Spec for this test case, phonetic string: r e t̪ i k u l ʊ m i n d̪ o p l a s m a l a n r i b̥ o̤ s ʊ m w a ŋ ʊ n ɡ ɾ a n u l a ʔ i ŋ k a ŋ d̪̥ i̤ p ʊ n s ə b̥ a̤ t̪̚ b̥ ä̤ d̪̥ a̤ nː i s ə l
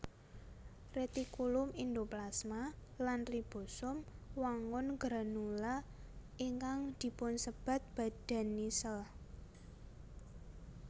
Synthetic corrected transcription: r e t̪ i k u l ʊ m i n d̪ o p l a s m a l a n r i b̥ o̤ s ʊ m w a ŋ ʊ n ɡ ɾ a n u l a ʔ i ŋ k a ŋ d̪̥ i̤ p ʊ n s ə b̥ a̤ t̪̚ b̥ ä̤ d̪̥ a̤ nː i s ə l